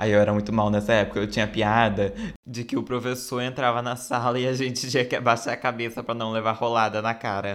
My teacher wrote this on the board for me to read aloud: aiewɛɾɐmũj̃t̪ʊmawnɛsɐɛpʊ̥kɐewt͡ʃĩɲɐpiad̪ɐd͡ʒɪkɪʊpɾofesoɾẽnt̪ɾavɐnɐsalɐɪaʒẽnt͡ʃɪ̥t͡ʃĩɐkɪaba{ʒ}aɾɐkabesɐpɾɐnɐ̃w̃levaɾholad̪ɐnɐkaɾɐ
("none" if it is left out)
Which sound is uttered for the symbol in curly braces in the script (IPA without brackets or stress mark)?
ʃ